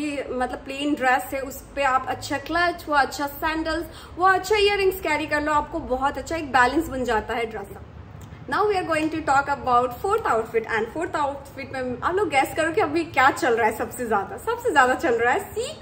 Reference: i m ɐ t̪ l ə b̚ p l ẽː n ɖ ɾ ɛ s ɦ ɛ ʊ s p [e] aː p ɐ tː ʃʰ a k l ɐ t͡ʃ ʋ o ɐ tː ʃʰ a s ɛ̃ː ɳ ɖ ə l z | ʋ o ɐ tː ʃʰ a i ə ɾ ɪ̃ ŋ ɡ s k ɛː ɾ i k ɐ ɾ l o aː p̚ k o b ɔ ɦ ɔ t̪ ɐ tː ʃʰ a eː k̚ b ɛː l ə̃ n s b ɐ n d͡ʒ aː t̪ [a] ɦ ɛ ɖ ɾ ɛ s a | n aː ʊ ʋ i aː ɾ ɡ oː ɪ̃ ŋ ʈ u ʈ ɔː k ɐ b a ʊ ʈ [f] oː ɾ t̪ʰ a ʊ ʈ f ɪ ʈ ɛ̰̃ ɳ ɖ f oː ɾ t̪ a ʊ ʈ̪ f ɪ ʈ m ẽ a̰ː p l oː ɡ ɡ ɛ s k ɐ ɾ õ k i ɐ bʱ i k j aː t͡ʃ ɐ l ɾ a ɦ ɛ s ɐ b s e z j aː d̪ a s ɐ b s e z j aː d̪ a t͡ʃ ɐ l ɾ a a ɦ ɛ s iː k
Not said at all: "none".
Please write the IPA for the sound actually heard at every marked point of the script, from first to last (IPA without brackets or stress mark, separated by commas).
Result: e, a, f